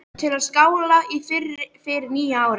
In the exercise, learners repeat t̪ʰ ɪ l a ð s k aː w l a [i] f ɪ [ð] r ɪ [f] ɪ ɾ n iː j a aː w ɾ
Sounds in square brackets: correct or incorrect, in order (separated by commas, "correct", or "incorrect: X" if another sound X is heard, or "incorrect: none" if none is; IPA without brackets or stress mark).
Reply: correct, incorrect: none, correct